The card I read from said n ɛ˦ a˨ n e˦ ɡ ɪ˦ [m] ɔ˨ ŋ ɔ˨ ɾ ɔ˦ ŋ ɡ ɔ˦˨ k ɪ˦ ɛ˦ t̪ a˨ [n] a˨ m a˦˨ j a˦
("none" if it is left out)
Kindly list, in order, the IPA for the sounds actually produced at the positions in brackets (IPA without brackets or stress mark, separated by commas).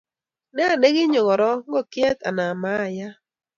ɲ, n